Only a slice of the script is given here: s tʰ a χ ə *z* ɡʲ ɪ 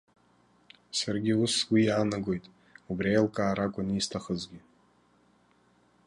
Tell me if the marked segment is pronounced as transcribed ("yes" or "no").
yes